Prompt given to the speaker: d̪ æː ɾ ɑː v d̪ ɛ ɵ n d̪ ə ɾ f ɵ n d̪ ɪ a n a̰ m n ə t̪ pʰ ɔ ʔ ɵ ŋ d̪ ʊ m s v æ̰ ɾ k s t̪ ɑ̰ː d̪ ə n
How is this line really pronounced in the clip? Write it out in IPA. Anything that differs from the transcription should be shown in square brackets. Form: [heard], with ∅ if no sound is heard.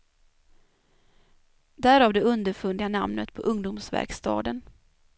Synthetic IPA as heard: d̪ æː ɾ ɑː v d̪ ɛ ɵ n d̪ ə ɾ f ɵ n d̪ ɪ a n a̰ m n ə t̪ pʰ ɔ ʔ ɵ ŋ d̪ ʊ m s v æ̰ ɾ k s t̪ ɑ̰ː d̪ ə n

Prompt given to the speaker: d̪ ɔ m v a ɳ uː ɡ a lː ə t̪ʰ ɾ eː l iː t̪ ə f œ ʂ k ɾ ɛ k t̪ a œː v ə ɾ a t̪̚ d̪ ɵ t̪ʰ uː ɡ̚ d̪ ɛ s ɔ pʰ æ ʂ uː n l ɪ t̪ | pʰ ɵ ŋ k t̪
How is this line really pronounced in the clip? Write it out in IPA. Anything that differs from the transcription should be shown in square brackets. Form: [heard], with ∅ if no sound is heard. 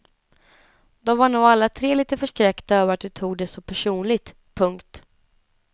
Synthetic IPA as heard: d̪ ɔ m v a ɳ uː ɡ a lː [a] t̪ʰ ɾ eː l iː t̪ ə f œ ʂ k ɾ ɛ k t̪ a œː v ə ɾ a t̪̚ d̪ ɵ t̪ʰ uː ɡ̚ d̪ ɛ s ɔ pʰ æ ʂ uː n l ɪ t̪ | pʰ ɵ ŋ k t̪

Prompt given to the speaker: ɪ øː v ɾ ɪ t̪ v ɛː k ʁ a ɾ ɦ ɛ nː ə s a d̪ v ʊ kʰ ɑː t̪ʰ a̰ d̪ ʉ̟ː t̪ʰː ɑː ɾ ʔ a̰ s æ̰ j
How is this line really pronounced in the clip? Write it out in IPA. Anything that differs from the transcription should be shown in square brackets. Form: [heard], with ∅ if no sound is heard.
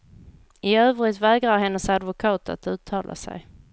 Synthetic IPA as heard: ɪ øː v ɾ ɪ t̪ v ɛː [ɡ] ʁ a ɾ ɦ ɛ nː ə s a d̪ v ʊ kʰ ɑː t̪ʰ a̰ [t̪] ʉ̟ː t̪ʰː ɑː [l] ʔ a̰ s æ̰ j

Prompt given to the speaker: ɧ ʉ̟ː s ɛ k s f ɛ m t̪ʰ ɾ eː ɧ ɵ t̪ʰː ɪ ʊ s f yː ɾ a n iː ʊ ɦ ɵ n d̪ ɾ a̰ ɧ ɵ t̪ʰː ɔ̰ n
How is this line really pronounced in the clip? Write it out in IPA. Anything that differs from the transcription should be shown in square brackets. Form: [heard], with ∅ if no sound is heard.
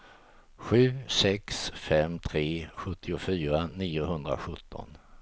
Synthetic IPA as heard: ɧ ʉ̟ː s ɛ k s f ɛ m t̪ʰ ɾ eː ɧ ɵ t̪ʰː ɪ ʊ [∅] f yː ɾ a n iː ʊ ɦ ɵ n d̪ ɾ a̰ ɧ ɵ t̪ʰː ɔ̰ n

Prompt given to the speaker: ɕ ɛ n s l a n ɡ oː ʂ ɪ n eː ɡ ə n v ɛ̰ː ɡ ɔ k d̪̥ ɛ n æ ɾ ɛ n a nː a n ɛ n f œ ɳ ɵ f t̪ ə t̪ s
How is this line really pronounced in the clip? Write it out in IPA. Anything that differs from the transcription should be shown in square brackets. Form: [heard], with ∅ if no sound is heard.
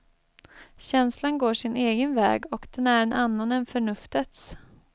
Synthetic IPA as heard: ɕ ɛ n s l a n ɡ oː ʂ ɪ n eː ɡ ə n v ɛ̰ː ɡ ɔ k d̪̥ ɛ n æ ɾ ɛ n a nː a n ɛ n f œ ɳ ɵ f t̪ ə t̪ s

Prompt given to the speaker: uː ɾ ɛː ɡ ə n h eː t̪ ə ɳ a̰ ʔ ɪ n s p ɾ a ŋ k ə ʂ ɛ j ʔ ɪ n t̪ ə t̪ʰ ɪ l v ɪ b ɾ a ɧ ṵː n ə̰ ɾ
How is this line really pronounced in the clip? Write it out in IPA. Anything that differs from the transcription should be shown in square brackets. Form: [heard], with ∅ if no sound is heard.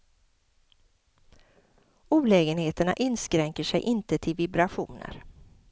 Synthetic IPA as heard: uː [l] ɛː ɡ ə n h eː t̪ ə ɳ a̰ ʔ ɪ n s [k] ɾ [ɛ] ŋ k ə ʂ ɛ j ʔ ɪ n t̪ ə t̪ʰ ɪ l v ɪ b ɾ a ɧ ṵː n ə̰ ɾ

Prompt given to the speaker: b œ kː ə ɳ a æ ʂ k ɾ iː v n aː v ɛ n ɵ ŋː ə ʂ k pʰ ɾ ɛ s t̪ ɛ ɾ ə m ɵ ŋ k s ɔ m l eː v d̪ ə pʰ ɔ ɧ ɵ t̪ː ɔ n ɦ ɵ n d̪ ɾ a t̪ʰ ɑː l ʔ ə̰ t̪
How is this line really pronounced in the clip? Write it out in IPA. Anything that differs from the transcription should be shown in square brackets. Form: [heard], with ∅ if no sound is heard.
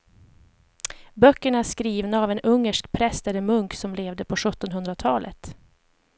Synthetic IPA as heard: b œ kː ə ɳ a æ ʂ k ɾ iː v n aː v ɛ n ɵ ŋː ə ʂ k pʰ ɾ ɛ s t̪ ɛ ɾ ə m ɵ ŋ k s ɔ m l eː v d̪ ə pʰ ɔ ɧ ɵ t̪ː ɔ n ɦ ɵ n d̪ ɾ a t̪ʰ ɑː l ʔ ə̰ t̪

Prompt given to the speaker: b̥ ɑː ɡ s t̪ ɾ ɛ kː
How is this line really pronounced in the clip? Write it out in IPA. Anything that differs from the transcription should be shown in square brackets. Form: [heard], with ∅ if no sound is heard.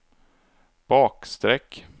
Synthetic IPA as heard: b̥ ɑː [k] s t̪ ɾ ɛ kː

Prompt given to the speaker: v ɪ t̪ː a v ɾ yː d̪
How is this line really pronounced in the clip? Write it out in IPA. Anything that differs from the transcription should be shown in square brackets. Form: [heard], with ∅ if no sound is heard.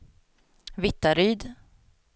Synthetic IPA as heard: v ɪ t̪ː a [∅] ɾ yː d̪

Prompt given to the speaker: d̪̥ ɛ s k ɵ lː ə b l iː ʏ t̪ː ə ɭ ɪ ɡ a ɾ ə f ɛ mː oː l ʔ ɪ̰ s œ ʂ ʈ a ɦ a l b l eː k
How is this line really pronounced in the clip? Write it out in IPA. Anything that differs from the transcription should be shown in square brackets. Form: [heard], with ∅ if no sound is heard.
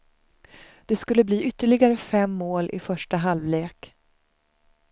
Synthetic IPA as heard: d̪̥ ɛ s k ɵ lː ə b l iː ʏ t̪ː ə ɭ ɪ ɡ a ɾ ə f ɛ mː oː l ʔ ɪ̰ [f] œ ʂ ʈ a ɦ a l [v] l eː k

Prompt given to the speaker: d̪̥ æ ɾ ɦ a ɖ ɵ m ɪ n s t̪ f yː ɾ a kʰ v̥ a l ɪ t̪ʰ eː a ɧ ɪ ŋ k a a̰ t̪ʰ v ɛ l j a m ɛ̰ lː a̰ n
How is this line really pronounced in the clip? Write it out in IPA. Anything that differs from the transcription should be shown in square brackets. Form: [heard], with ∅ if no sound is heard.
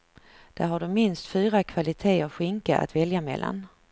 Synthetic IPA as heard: d̪̥ æ ɾ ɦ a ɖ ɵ m ɪ n s t̪ f yː ɾ a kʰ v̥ a l ɪ t̪ʰ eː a ɧ ɪ ŋ k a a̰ [t̪] v ɛ l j a m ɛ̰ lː a̰ n

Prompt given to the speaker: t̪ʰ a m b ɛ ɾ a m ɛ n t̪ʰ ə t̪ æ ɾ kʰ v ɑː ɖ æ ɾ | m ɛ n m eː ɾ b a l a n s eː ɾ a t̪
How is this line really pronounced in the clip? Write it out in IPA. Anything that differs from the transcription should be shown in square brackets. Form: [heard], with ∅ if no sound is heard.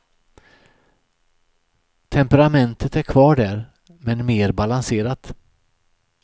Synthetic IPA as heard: t̪ʰ [ɛ] m [p] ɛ ɾ a m ɛ n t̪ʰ ə t̪ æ ɾ kʰ v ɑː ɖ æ ɾ | m ɛ n m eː ɾ b a l a n s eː ɾ a t̪

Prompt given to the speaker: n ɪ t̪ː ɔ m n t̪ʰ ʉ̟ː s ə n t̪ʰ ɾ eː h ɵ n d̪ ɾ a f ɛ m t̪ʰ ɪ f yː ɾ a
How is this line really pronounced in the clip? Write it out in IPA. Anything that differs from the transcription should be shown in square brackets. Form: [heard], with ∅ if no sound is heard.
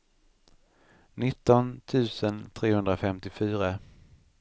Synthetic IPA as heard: n ɪ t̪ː ɔ [∅] n t̪ʰ ʉ̟ː s ə n t̪ʰ ɾ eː h ɵ n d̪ ɾ a f ɛ m [t̪] ɪ f yː ɾ a

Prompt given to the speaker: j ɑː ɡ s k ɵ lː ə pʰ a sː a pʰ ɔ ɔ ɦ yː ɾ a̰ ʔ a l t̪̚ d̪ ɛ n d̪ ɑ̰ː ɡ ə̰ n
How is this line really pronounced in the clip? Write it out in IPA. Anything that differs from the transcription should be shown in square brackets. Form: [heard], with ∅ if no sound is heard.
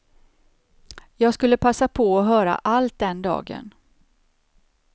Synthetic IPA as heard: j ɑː ɡ s k ɵ lː ə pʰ a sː a pʰ ɔ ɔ ɦ [œː] ɾ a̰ ʔ a l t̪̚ d̪ ɛ n d̪ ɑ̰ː ɡ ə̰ n

